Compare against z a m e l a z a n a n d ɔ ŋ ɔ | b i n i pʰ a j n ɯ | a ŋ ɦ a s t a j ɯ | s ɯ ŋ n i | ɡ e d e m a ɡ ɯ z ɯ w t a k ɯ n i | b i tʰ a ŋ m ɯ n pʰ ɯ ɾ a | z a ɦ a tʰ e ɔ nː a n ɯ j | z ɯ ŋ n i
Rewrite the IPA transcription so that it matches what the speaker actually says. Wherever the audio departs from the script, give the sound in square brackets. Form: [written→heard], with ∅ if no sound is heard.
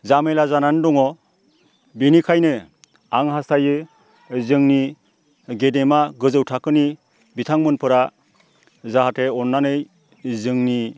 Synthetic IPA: z a m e l a z a n a n d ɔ ŋ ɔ | b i n i [pʰ→kʰ] a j n ɯ | a ŋ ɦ a s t a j ɯ | [s→z] ɯ ŋ n i | ɡ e d e m a ɡ ɯ z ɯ w [t→tʰ] a k ɯ n i | b i tʰ a ŋ m ɯ n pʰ ɯ ɾ a | z a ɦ a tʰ e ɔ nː a n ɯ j | z ɯ ŋ n i